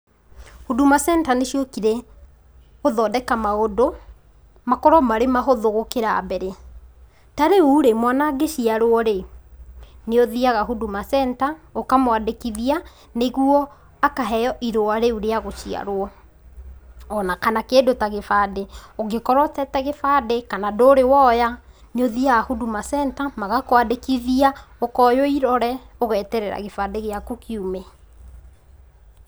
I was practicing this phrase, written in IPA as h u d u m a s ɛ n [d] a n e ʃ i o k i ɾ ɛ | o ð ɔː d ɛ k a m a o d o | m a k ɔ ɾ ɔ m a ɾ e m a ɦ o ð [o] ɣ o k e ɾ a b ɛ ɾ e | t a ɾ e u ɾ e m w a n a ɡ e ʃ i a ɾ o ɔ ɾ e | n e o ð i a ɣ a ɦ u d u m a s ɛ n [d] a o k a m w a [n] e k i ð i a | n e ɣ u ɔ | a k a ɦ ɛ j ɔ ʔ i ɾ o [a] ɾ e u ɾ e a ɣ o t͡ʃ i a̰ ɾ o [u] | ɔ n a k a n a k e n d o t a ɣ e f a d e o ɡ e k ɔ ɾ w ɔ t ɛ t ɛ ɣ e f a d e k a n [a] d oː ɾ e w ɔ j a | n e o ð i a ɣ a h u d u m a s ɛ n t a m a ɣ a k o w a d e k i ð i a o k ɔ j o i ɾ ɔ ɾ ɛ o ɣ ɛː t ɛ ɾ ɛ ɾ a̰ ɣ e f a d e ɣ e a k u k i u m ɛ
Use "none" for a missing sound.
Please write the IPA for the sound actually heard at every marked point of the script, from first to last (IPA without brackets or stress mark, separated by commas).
t, o, t, d, a, ɔ, a